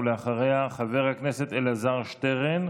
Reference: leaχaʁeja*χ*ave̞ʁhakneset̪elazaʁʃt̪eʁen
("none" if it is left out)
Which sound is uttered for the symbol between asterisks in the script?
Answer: χ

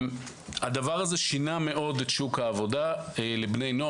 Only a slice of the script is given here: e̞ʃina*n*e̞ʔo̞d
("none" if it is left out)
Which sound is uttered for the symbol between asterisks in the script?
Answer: m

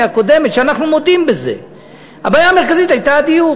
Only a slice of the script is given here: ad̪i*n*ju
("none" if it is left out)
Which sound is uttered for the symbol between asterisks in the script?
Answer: none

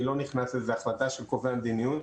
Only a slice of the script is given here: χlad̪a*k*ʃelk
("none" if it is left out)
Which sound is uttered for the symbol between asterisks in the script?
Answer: none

